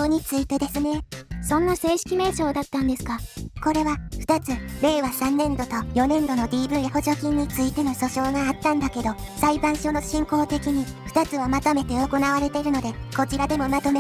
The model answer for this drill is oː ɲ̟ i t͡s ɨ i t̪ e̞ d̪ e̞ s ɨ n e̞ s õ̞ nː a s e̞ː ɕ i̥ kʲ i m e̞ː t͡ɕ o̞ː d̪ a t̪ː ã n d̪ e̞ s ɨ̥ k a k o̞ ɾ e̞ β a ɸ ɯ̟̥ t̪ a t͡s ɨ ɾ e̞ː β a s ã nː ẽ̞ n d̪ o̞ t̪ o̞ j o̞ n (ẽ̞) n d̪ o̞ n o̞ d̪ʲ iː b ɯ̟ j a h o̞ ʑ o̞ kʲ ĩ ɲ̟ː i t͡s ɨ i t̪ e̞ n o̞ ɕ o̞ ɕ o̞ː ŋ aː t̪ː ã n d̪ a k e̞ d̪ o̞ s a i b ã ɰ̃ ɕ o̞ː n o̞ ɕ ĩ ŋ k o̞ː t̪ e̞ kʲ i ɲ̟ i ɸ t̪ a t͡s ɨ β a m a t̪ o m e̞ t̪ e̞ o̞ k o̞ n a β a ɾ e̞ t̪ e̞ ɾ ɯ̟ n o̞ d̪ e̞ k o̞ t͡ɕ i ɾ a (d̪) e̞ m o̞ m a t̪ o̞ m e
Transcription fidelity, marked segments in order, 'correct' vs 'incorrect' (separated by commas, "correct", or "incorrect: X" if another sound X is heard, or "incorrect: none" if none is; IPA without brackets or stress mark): correct, correct